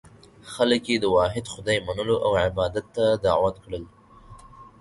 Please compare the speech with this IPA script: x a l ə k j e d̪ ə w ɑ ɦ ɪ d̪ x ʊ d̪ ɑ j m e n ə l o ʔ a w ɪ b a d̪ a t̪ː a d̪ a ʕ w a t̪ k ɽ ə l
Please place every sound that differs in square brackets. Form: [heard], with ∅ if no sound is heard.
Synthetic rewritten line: x a l ə k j e d̪ ə w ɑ ɦ ɪ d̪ x ʊ d̪ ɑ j m [a] n ə l o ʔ a w ɪ b [ɑ] d̪ a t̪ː a d̪ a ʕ w a t̪ k ɽ ə l